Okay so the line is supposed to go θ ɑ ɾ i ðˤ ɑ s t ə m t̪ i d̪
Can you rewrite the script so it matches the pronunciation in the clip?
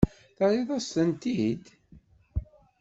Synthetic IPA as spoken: θ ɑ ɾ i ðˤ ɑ s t ə n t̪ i d̪